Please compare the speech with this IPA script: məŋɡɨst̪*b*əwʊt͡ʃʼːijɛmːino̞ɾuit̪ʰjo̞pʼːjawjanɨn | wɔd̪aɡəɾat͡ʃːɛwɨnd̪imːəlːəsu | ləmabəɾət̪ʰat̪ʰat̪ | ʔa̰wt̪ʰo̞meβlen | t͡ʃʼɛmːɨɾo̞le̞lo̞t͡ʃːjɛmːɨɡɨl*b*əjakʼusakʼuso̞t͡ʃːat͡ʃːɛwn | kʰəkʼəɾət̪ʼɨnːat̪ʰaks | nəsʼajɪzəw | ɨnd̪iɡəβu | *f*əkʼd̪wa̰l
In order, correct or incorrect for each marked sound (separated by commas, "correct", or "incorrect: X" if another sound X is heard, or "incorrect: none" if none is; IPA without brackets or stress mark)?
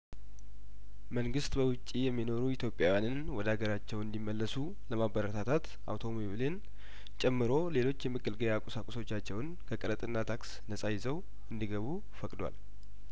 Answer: correct, incorrect: ɡ, correct